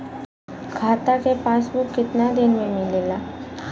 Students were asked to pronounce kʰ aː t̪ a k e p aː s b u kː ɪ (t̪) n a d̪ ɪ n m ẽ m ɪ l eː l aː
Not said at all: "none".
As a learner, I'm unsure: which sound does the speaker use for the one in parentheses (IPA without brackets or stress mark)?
t̪